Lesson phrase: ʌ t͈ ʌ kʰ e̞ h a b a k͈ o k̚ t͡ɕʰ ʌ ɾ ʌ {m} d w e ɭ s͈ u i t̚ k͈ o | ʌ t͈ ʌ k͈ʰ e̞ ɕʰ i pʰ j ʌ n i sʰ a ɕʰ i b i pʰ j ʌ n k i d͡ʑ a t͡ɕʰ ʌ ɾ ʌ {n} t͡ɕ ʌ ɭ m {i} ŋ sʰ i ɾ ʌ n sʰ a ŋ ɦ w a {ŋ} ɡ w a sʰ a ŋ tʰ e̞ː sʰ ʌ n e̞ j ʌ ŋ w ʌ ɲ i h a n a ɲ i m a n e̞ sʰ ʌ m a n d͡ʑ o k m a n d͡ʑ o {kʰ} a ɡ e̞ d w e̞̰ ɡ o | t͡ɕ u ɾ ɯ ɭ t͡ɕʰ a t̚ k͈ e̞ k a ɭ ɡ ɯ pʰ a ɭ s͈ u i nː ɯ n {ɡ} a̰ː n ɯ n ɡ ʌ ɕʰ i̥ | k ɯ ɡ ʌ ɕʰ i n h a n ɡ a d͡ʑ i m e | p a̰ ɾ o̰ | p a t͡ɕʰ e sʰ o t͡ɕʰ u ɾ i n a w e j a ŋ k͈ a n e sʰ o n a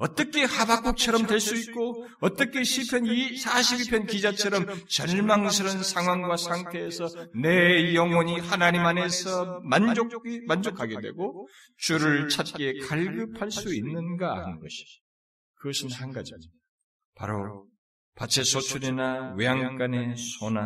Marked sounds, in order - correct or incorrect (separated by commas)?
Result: correct, incorrect, incorrect, correct, correct, correct